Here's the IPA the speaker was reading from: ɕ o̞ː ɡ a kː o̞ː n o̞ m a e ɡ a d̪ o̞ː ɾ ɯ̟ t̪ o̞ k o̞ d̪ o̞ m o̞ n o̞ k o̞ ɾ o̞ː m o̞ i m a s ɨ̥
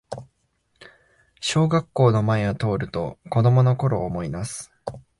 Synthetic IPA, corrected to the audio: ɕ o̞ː ɡ a kː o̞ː n o̞ m a e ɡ a t̪ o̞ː ɾ ɯ̟ t̪ o̞ k o̞ d̪ o̞ m o̞ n o̞ k o̞ ɾ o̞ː m o̞ i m a s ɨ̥